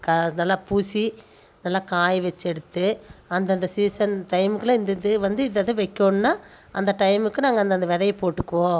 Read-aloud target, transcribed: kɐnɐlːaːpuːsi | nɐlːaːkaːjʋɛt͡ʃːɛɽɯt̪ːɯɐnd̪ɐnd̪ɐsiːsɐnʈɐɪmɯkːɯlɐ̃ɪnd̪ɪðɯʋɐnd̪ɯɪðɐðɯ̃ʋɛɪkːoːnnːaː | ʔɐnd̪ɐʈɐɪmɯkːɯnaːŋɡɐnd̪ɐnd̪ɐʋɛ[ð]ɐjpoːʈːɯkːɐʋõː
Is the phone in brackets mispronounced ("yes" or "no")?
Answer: no